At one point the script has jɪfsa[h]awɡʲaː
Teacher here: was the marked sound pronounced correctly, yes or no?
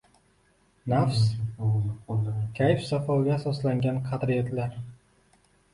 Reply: no